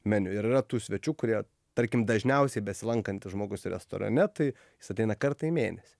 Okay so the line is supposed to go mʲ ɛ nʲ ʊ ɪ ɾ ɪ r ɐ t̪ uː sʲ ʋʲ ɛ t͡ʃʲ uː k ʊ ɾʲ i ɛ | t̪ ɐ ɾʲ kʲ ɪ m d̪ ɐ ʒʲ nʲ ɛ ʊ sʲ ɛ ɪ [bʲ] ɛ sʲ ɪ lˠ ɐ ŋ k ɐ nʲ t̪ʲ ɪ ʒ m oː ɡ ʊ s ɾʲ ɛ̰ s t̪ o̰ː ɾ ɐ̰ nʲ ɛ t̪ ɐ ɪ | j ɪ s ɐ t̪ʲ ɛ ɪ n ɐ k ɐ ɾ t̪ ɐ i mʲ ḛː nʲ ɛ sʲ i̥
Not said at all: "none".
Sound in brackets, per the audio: bʲ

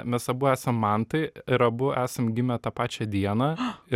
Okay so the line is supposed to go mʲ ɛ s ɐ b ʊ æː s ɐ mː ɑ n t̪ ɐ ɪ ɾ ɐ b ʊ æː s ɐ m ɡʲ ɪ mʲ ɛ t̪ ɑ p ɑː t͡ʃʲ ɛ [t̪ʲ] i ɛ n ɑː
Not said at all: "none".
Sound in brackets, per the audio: d̪ʲ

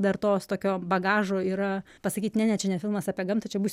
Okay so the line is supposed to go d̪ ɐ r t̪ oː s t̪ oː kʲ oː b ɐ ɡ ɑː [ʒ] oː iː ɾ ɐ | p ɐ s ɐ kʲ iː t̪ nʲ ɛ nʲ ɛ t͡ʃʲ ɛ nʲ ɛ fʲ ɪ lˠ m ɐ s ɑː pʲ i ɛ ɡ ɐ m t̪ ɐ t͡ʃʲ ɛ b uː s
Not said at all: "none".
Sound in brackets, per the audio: ʒ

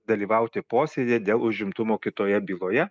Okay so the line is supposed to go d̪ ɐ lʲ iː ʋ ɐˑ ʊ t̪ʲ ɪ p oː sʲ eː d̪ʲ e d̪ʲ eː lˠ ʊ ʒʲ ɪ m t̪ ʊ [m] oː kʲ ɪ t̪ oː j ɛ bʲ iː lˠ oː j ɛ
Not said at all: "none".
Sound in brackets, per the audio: m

